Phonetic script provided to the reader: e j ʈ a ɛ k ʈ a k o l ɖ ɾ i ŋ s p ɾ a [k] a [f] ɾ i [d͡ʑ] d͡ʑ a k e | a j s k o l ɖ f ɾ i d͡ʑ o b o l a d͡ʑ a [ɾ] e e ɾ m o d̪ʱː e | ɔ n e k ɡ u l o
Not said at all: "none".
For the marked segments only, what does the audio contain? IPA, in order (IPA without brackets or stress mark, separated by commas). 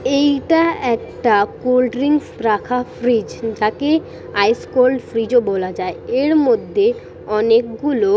kʰ, f, d͡ʑ, none